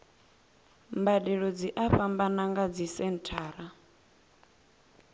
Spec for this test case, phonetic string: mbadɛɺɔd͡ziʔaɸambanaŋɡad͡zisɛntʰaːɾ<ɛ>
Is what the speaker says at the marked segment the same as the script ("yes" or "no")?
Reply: no